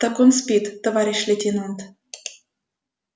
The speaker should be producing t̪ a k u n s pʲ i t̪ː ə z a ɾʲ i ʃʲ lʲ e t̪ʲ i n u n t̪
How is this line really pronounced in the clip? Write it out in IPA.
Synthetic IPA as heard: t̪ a k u n s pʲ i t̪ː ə v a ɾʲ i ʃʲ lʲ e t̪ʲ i n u n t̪